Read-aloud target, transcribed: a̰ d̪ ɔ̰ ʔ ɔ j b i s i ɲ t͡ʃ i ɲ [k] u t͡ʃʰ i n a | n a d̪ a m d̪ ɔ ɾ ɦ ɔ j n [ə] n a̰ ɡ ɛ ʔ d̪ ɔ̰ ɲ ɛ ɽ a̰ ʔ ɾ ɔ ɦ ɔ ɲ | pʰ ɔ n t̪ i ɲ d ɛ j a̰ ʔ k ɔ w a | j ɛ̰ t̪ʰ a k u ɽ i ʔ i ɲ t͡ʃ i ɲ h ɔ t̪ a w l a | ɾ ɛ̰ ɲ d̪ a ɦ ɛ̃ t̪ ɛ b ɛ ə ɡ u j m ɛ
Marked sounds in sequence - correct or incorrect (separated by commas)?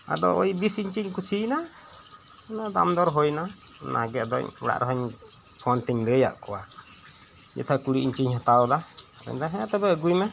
correct, incorrect